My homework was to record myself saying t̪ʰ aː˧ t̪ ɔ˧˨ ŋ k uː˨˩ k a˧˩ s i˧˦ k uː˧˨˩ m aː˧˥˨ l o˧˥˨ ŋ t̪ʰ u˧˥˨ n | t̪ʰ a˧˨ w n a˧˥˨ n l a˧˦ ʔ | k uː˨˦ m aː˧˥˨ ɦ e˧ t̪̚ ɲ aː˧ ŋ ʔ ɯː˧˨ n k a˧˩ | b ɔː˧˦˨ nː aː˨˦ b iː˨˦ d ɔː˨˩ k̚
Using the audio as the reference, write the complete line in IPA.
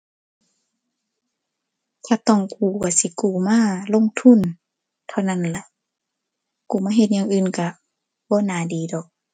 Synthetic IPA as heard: t̪ʰ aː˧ t̪ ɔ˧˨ ŋ k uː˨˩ k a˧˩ s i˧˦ k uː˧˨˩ m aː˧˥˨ l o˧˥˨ ŋ t̪ʰ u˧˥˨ n | t̪ʰ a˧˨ w n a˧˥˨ n l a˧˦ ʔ | k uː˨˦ m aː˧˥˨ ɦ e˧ t̪̚ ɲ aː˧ ŋ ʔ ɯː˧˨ n k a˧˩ | b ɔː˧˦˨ n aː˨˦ d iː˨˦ d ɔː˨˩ k̚